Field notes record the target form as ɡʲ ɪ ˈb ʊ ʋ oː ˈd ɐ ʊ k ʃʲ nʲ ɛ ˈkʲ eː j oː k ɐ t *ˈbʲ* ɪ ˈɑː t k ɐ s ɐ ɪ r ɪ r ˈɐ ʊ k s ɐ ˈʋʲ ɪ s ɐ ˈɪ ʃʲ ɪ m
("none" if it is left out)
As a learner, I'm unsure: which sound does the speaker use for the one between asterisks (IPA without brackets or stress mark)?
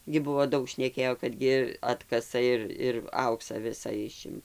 ɡʲ